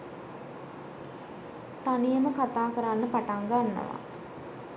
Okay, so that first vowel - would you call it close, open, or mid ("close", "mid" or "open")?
open